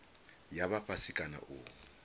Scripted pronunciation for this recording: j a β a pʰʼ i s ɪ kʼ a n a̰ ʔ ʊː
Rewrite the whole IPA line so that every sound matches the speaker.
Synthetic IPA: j a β a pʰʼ a s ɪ kʼ a n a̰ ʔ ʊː